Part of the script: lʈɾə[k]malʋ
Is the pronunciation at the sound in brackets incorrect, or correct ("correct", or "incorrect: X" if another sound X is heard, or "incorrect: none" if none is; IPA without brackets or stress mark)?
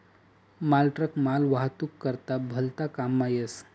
correct